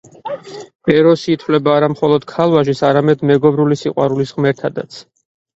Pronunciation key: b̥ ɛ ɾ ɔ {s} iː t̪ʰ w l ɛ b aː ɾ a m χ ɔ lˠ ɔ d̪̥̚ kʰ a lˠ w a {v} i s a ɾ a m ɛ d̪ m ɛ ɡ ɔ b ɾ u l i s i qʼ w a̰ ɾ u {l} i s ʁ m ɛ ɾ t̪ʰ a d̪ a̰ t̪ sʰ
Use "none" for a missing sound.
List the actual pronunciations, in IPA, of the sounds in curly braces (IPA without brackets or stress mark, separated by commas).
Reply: s, ʒ, l